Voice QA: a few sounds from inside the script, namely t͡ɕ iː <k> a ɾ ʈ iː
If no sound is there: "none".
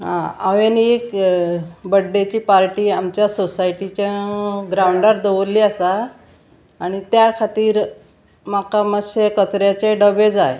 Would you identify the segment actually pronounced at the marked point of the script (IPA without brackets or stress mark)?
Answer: p